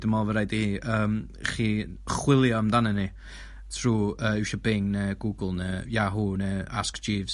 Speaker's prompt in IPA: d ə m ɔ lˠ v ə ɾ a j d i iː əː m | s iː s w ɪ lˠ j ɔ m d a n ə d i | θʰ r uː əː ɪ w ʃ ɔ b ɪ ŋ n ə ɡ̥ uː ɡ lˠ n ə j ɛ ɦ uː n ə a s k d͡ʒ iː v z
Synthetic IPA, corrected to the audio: d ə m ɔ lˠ v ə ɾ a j d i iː əː m | χ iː χ w ɪ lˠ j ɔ m d a n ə n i | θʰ r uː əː ɪ w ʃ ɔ b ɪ ŋ n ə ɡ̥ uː ɡ lˠ n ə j a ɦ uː n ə a s k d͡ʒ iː v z